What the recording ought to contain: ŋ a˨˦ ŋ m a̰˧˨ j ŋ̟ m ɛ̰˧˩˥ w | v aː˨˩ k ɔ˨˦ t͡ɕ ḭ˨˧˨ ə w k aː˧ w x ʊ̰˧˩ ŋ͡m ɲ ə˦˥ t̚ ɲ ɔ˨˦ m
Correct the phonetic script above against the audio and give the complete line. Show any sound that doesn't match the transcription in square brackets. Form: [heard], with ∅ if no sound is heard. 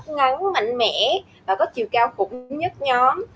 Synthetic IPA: ŋ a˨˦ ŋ m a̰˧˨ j ŋ̟ m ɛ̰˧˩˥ [∅] | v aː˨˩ k ɔ˨˦ t͡ɕ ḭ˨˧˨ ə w k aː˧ w x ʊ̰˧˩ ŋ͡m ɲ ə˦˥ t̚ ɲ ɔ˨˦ m

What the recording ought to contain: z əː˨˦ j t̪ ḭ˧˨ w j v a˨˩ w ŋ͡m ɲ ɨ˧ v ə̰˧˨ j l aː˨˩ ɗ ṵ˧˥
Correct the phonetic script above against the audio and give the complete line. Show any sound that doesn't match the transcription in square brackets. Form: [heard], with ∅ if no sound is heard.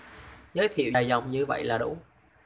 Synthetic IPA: z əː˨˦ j [t̪ʰ] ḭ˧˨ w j [z] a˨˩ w ŋ͡m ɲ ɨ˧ v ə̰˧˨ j l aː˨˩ ɗ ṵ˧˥

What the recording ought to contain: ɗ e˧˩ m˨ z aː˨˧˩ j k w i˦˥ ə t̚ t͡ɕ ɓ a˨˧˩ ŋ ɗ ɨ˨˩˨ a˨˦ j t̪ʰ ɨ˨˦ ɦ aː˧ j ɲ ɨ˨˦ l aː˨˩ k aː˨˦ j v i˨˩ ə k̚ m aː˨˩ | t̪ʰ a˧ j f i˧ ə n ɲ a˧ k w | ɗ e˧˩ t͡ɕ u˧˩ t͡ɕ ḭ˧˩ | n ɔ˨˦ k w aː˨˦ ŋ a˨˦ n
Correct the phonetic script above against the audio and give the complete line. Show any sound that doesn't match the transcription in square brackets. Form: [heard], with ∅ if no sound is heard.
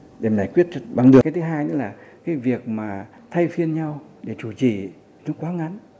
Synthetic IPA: ɗ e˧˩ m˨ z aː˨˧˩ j k w i˦˥ ə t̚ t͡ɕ ɓ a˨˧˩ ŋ ɗ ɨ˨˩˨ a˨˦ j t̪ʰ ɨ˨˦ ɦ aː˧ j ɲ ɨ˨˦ l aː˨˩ k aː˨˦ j v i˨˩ ə k̚ m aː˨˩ | t̪ʰ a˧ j f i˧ ə n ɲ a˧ [∅] w | ɗ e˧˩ t͡ɕ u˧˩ t͡ɕ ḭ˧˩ | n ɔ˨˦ k w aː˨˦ ŋ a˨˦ n

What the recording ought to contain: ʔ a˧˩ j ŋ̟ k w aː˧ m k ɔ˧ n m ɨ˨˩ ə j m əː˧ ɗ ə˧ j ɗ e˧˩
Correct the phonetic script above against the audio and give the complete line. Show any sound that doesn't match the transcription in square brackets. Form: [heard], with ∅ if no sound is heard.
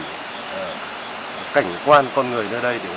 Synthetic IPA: [k] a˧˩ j ŋ̟ k w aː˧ [n] k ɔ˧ n [ŋ] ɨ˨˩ ə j [n] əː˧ ɗ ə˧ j ɗ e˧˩

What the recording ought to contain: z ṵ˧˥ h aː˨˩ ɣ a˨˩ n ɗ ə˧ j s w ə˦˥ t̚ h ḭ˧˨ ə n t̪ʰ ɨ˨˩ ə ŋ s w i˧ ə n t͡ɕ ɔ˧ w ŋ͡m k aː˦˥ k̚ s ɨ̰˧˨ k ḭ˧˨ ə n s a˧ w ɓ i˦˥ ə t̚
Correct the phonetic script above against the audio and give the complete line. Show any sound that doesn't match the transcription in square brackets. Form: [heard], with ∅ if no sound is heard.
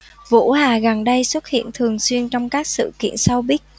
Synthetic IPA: [v] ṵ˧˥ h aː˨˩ ɣ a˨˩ n ɗ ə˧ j s w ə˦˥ t̚ h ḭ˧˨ ə n t̪ʰ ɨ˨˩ ə ŋ s w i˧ ə n t͡ɕ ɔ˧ w ŋ͡m k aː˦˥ k̚ s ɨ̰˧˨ k ḭ˧˨ ə n s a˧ w ɓ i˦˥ ə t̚

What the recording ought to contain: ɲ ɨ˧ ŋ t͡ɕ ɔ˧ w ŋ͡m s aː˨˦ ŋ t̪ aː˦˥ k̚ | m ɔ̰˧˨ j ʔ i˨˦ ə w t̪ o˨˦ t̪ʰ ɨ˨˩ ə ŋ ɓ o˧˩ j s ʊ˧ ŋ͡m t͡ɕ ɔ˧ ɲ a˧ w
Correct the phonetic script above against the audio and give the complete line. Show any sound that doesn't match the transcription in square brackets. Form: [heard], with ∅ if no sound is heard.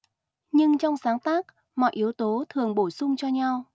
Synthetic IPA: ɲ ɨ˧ ŋ t͡ɕ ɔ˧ w ŋ͡m s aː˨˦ ŋ t̪ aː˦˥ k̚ | m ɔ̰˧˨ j ʔ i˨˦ ə w t̪ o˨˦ t̪ʰ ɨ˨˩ ə ŋ ɓ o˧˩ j s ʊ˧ ŋ͡m t͡ɕ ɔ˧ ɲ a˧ w

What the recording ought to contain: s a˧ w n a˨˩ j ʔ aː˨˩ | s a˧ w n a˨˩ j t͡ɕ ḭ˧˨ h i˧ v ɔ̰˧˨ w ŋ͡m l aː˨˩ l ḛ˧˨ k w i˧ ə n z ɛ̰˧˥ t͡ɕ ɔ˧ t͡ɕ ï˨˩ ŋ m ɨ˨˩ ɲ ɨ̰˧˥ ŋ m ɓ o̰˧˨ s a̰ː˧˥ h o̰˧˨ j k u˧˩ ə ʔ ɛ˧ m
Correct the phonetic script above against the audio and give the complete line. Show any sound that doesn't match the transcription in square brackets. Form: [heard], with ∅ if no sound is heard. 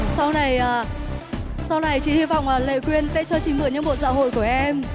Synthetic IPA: s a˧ w n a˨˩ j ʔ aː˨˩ | s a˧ w n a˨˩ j t͡ɕ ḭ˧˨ h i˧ v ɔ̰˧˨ w ŋ͡m l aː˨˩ l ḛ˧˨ k w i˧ ə n [s] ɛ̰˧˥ t͡ɕ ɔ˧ t͡ɕ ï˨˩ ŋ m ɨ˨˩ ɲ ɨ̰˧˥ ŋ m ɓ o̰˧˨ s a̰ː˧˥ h o̰˧˨ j k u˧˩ ə ʔ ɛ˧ m

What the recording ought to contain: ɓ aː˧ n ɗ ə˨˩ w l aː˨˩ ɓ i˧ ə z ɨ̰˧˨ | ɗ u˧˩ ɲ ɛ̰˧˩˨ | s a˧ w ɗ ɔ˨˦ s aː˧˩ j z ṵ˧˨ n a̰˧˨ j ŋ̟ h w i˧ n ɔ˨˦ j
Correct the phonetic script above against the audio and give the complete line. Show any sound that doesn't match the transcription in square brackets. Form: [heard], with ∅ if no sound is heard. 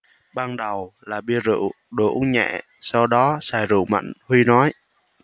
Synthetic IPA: ɓ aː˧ n ɗ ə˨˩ w l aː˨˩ ɓ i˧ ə z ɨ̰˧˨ | ɗ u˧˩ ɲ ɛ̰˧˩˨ | s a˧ w ɗ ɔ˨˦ s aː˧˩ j z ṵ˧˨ [m] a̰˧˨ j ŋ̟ h w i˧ n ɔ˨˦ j

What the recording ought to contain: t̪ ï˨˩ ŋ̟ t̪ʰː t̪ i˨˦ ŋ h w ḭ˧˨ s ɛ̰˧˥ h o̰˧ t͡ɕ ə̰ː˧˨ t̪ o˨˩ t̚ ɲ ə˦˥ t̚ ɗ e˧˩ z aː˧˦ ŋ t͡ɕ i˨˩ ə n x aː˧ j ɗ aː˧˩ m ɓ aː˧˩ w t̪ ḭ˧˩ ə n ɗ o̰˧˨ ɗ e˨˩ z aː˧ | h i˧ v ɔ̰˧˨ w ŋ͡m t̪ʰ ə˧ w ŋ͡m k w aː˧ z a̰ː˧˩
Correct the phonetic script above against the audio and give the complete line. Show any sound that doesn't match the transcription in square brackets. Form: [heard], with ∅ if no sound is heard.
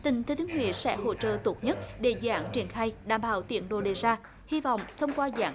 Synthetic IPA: t̪ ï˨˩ ŋ̟ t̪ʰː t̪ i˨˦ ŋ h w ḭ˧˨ s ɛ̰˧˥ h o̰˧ t͡ɕ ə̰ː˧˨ t̪ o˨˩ t̚ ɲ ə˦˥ t̚ ɗ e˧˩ z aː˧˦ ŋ t͡ɕ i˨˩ ə n x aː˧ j ɗ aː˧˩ m ɓ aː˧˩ w t̪ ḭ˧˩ ə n ɗ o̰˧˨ ɗ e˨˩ z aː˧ | h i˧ v ɔ̰˧˨ w ŋ͡m t̪ʰ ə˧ w ŋ͡m k w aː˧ z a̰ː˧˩

